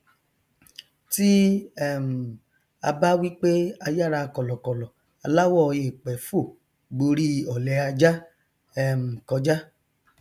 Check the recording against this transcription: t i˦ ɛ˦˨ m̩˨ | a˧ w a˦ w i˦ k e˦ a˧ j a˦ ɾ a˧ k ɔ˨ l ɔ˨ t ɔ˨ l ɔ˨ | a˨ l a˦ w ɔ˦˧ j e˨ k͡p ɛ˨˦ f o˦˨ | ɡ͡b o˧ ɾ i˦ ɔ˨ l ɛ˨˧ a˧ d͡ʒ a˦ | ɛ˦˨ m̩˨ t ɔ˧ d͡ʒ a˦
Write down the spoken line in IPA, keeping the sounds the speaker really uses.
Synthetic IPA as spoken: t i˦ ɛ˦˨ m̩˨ | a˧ b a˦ w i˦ k͡p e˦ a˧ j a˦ ɾ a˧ k ɔ˨ l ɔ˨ k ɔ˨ l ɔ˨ | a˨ l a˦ w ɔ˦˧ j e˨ k͡p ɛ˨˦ f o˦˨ | ɡ͡b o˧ ɾ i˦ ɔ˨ l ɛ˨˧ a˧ d͡ʒ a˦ | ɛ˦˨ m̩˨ k ɔ˧ d͡ʒ a˦